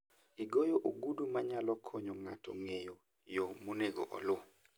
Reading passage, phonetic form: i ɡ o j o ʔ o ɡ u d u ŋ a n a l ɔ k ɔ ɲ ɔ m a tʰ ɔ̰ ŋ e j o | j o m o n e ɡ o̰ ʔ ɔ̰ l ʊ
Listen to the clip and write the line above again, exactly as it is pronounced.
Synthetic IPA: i ɡ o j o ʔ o ɡ u d u m a ɲ a l ɔ kʰ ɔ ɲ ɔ ŋ a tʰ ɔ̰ ŋ e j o | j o m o n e ɡ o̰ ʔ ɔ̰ l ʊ